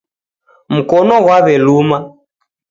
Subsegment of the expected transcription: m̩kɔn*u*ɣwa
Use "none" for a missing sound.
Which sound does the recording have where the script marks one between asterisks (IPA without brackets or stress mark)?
ɔ